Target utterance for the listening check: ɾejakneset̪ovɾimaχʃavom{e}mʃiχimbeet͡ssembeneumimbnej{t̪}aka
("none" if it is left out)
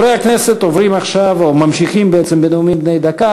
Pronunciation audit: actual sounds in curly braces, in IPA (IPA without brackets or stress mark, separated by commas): a, d̪